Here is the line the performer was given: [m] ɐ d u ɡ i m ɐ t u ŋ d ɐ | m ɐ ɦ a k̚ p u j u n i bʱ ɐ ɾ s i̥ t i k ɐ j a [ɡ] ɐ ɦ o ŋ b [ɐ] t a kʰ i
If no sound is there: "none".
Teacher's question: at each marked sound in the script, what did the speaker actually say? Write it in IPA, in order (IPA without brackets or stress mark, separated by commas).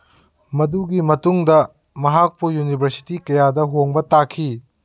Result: m, d, ɐ